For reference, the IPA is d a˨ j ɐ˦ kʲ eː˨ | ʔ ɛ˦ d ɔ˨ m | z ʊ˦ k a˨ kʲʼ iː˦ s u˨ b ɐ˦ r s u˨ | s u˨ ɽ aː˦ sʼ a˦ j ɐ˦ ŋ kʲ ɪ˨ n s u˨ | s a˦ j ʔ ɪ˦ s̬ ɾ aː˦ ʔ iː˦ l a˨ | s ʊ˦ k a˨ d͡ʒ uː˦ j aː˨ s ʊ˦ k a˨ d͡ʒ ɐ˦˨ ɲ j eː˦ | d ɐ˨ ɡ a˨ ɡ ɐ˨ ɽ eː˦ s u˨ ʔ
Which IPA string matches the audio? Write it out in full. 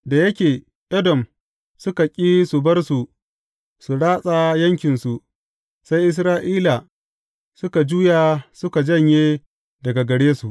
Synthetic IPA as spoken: d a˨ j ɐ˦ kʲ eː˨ | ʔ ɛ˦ d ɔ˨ m | s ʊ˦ k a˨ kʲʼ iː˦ s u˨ b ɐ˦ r s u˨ | s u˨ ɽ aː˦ sʼ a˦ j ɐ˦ ŋ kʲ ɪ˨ n s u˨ | s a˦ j ʔ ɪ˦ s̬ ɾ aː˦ ʔ iː˦ l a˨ | s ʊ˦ k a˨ d͡ʒ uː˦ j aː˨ s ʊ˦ k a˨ d͡ʒ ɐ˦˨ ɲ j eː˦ | d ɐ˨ ɡ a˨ ɡ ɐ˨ ɽ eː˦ s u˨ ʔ

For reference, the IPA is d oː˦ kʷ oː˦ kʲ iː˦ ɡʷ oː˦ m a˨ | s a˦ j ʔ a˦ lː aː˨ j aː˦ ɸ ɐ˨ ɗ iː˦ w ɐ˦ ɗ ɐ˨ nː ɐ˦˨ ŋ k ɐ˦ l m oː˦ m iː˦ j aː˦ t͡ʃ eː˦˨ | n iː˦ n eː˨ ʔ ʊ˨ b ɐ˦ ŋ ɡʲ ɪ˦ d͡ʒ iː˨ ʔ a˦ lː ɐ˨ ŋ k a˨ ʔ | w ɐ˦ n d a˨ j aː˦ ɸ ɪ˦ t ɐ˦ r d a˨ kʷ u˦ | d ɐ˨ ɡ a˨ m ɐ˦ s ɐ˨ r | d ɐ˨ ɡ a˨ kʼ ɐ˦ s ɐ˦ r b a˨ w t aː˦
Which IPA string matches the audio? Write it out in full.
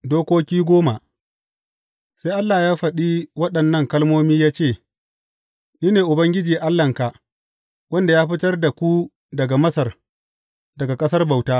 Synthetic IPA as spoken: d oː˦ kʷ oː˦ kʲ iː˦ ɡʷ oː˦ m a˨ | s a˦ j ʔ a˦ lː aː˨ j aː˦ ɸ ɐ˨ ɗ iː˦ w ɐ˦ ɗ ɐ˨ nː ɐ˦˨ ŋ k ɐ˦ l m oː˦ m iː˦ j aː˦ t͡ʃ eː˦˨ | n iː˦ n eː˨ ʔ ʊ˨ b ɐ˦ ŋ ɡʲ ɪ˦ d͡ʒ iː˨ ʔ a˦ lː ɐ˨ ŋ k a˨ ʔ | w ɐ˦ n d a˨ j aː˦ ɸ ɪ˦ t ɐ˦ r d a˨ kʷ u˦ | d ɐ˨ ɡ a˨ m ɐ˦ s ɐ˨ r | d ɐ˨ ɡ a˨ kʼ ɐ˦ s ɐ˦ r b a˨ w t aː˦

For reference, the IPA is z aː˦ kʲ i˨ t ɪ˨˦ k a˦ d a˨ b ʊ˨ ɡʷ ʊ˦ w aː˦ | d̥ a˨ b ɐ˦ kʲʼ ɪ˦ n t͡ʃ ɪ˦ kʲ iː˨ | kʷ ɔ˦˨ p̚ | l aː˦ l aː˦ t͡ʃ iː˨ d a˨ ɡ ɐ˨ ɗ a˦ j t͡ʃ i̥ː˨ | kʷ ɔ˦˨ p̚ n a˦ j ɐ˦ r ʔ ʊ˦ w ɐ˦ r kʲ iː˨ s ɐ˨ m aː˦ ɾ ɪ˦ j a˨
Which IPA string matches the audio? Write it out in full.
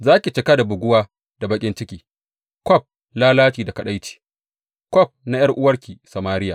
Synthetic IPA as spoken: z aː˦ kʲ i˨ t͡ʃ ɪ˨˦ k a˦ d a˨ b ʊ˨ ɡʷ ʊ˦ w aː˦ | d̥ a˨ b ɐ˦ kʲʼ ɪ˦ n t͡ʃ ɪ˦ kʲ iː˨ | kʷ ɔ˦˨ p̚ | l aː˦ l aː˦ t͡ʃ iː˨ d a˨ k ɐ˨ ɗ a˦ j t͡ʃ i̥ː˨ | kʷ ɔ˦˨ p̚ n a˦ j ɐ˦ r ʔ ʊ˦ w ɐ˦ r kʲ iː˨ s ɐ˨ m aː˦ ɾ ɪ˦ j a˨

